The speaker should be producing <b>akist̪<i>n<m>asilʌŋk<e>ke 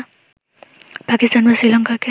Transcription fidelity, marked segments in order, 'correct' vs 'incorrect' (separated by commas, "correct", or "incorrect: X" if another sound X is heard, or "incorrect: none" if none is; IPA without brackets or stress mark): incorrect: p, incorrect: a, correct, incorrect: a